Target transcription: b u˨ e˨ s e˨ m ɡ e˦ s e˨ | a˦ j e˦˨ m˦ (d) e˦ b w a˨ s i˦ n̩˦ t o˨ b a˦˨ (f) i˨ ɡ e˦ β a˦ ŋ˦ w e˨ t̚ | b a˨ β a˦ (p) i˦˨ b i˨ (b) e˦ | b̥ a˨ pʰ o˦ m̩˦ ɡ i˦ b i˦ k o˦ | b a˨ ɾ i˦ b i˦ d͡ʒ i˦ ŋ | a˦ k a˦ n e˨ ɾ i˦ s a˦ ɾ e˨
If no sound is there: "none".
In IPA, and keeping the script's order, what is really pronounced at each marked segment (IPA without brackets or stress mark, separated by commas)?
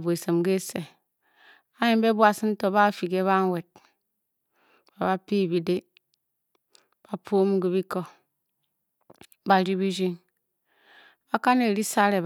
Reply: b, f, p, d